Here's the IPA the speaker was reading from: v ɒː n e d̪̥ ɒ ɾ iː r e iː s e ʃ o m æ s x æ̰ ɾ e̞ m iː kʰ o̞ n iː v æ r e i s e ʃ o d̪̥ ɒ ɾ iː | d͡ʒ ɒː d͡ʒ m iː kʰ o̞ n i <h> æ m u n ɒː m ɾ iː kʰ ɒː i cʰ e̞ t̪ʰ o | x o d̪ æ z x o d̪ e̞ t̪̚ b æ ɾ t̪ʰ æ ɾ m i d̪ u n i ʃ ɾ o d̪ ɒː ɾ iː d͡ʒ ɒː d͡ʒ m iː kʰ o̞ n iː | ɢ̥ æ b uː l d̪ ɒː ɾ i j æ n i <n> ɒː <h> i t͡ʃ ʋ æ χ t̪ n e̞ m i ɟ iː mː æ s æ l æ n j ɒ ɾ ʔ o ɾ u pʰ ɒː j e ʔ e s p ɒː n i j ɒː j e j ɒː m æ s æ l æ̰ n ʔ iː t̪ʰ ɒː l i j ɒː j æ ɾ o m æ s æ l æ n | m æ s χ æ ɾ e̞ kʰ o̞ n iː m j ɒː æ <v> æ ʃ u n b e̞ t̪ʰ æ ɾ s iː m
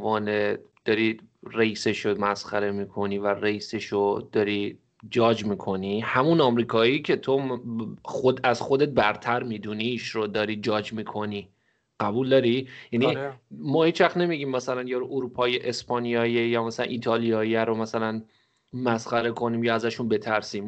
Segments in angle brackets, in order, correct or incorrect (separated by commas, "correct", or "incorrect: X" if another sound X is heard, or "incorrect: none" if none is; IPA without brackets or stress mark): correct, incorrect: m, correct, incorrect: z